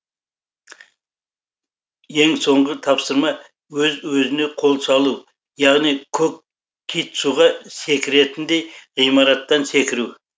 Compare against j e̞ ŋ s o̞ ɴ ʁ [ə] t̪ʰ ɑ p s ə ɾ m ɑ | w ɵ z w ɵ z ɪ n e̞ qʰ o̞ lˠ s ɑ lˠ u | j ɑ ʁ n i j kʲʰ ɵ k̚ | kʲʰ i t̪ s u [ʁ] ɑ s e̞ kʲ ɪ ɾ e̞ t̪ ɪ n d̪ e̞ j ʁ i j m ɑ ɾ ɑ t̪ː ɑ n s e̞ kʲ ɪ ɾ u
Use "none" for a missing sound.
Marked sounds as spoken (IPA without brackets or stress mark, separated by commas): ə, ʁ